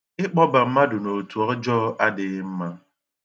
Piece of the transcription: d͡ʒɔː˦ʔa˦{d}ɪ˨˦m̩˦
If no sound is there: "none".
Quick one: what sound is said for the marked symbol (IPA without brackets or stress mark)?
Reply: d